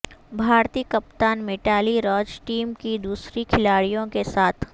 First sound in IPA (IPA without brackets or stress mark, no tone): bʱ